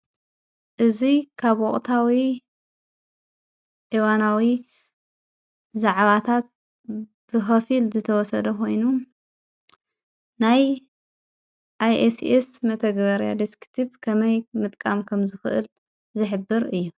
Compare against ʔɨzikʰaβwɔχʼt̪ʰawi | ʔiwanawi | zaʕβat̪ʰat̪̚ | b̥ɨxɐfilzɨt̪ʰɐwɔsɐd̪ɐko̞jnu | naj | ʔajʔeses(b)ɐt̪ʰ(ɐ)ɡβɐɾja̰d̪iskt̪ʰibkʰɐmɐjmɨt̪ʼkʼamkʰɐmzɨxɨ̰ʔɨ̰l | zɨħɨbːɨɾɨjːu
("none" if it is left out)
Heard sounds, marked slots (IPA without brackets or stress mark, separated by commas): m, ɐ